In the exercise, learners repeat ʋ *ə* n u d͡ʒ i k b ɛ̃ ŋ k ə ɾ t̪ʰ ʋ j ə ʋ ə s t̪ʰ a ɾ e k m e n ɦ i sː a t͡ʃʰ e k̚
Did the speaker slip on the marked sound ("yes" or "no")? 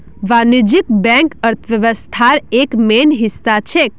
yes